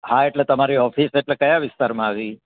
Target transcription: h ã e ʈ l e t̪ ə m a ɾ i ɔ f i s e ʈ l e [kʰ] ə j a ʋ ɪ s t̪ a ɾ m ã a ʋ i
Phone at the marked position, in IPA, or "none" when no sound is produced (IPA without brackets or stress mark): k